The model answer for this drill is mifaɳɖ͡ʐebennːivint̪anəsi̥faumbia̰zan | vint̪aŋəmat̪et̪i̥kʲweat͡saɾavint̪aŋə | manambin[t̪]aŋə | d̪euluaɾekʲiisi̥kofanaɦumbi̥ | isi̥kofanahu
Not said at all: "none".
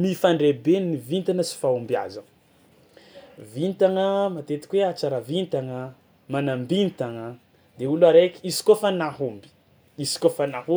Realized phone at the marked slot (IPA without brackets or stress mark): t̪